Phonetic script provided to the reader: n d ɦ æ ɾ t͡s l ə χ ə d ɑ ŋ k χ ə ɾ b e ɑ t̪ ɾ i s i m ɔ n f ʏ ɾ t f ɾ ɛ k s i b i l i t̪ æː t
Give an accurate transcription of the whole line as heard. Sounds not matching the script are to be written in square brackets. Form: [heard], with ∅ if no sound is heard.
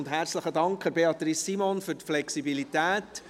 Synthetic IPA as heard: n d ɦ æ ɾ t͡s l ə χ ə d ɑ ŋ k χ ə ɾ b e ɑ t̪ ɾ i s i m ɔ n f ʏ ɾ t f [l] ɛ k s i b i l i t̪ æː t